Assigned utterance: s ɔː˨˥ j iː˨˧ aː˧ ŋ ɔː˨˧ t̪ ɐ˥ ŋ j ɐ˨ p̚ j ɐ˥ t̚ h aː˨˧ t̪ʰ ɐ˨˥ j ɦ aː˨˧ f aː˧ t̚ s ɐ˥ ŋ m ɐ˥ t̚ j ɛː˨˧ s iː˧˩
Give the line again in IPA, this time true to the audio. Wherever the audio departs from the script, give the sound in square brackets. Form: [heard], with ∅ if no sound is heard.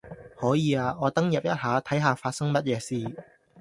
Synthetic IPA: [h] ɔː˨˥ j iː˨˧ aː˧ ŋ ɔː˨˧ t̪ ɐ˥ ŋ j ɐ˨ p̚ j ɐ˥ t̚ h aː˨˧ t̪ʰ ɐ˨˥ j ɦ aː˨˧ f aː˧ t̚ s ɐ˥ ŋ m ɐ˥ t̚ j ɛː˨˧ s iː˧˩